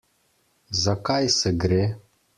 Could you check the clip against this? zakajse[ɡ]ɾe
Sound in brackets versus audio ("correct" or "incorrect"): correct